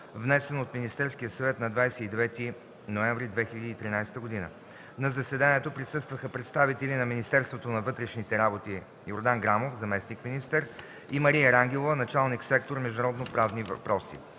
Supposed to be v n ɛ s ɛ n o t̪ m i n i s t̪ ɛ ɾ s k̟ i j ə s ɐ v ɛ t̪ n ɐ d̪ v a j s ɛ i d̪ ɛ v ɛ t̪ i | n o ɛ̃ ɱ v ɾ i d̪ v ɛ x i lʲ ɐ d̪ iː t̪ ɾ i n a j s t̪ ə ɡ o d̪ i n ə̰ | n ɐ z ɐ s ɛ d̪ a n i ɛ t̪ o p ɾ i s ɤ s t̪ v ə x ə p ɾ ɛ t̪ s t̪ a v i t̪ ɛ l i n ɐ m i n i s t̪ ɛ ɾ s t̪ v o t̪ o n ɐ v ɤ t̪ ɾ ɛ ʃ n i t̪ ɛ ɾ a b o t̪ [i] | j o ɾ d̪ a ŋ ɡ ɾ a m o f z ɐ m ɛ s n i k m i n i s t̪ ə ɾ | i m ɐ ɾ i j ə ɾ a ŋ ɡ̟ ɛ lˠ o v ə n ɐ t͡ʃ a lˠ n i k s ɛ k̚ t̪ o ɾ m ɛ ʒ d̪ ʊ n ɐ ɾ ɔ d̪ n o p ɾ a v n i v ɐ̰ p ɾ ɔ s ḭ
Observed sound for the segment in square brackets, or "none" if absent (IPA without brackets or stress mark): i